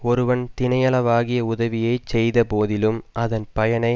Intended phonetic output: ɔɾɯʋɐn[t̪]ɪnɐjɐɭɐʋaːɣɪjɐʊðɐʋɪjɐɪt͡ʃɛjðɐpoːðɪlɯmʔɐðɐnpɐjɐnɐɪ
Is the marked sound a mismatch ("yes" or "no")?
no